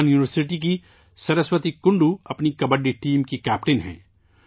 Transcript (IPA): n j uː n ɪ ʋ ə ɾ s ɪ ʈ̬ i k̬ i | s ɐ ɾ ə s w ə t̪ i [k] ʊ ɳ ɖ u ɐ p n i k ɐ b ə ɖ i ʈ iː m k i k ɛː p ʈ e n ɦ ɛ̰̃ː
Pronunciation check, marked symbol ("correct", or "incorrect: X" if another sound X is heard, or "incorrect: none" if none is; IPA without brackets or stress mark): correct